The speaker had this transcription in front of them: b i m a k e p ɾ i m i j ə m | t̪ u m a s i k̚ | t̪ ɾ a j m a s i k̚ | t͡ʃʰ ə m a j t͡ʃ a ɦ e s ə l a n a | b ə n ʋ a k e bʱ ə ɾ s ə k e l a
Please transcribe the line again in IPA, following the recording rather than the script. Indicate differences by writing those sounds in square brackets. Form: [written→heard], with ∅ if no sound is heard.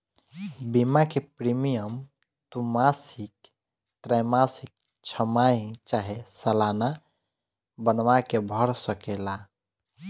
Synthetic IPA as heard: b i m a k e p ɾ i m i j ə m | t̪ u m a s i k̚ | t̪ ɾ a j m a s i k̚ | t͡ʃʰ ə m a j t͡ʃ a ɦ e s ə l a n a | b ə n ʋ a k e bʱ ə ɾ s ə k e l a